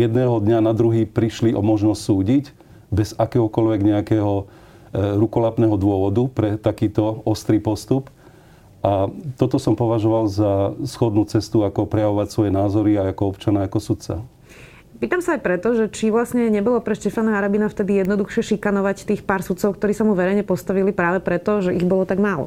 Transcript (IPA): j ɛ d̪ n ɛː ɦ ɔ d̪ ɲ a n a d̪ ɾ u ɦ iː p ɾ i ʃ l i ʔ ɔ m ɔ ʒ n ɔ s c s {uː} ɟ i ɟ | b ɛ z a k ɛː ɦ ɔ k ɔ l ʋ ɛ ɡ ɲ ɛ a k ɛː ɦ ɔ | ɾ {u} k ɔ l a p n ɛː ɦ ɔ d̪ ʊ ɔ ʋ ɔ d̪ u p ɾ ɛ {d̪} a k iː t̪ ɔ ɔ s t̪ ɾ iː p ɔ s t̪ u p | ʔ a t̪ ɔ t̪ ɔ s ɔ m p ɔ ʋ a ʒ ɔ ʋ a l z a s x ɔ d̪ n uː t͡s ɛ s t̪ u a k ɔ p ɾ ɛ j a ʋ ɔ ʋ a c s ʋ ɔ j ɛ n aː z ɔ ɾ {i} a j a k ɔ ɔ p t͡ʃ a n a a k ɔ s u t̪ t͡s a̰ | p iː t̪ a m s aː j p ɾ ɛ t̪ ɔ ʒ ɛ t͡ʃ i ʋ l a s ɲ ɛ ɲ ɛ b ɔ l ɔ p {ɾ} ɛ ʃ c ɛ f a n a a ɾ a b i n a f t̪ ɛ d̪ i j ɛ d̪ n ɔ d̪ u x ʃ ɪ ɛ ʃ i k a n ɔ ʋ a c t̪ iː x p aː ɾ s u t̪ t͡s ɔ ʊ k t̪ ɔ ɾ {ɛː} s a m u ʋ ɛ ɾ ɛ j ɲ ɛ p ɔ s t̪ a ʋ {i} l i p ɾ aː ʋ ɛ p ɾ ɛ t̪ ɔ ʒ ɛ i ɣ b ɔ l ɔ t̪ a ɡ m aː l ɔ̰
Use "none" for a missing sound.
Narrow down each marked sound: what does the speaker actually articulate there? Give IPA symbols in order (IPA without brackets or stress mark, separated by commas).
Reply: uː, u, t̪, i, ɾ, iː, i